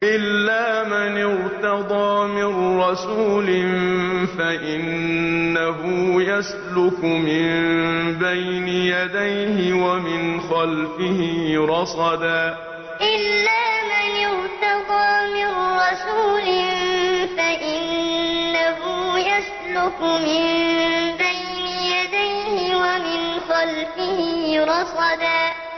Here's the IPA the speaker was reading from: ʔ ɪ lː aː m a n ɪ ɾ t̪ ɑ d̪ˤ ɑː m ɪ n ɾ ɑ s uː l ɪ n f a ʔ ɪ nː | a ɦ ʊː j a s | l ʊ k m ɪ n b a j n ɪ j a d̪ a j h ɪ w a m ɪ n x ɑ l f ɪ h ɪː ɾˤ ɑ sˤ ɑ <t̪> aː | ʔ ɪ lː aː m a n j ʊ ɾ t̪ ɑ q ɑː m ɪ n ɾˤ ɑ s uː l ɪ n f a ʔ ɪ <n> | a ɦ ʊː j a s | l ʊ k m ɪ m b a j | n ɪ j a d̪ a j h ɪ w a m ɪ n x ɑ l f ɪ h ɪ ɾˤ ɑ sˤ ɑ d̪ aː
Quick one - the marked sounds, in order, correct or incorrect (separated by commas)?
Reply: incorrect, incorrect